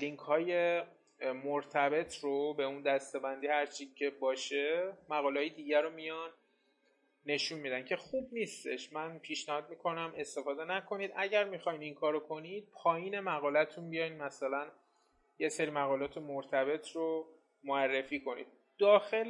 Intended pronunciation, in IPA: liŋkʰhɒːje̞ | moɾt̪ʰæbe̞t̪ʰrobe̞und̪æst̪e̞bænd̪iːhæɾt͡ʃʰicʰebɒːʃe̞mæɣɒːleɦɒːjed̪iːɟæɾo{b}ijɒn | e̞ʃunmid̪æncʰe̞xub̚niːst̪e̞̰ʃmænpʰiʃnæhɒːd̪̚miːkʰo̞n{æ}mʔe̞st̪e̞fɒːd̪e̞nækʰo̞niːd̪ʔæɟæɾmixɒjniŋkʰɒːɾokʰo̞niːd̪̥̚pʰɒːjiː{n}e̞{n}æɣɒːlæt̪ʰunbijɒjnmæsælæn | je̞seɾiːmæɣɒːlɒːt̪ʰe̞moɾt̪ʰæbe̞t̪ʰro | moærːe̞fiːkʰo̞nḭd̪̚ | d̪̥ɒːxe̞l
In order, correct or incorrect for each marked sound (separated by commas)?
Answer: incorrect, correct, correct, incorrect